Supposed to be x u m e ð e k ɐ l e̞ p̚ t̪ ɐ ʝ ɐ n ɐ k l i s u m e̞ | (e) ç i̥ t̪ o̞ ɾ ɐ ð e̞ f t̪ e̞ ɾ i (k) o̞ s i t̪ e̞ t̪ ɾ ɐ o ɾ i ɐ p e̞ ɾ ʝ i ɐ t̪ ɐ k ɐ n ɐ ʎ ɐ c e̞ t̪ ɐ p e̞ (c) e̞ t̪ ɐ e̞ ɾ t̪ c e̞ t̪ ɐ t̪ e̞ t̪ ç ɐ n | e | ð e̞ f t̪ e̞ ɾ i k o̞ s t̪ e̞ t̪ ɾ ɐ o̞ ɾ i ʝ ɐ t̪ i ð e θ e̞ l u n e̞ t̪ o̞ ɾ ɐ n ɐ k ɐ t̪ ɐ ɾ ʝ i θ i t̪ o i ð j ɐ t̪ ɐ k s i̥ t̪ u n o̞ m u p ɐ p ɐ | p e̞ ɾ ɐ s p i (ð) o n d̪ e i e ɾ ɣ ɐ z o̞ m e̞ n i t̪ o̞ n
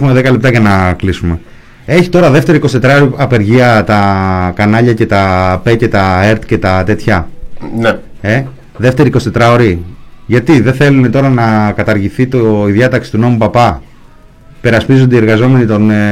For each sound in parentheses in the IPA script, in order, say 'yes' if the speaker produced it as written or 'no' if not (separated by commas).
yes, yes, yes, no